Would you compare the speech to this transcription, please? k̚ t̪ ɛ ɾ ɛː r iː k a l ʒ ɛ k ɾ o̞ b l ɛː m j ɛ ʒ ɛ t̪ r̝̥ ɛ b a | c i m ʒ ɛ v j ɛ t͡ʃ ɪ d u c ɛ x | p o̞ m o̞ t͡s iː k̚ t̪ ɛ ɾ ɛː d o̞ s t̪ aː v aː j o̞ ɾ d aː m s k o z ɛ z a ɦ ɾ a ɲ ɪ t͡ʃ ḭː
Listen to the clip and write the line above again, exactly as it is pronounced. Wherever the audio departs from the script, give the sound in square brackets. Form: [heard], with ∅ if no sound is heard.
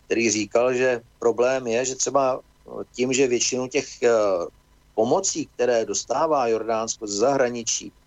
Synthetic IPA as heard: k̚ t̪ ɛ ɾ [iː] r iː k a l ʒ ɛ [p] ɾ o̞ b l ɛː m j ɛ ʒ ɛ t̪ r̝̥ ɛ b a | c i m ʒ ɛ v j ɛ t͡ʃ ɪ [n] u c ɛ x | p o̞ m o̞ t͡s iː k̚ t̪ ɛ ɾ ɛː d o̞ s t̪ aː v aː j o̞ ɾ d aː [n] s k o z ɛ z a ɦ ɾ a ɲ ɪ t͡ʃ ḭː